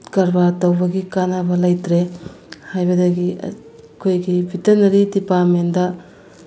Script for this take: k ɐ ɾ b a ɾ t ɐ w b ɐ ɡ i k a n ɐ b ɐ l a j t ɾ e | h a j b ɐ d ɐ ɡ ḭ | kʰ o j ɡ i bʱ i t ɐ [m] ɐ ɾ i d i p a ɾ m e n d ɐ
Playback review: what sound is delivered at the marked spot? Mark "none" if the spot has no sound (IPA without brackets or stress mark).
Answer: n